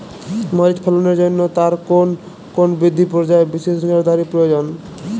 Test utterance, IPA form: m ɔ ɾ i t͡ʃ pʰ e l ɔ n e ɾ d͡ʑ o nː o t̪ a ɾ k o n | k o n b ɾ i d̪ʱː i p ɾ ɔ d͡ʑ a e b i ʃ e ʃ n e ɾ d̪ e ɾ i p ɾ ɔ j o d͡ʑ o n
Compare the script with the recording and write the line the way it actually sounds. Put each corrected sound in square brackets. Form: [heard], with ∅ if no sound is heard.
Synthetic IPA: m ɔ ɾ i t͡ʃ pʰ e l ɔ n e ɾ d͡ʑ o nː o t̪ a ɾ k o n | k o n b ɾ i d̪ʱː i p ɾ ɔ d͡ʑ a e b i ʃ e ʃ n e ɾ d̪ [a] ɾ i p ɾ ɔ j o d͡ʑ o n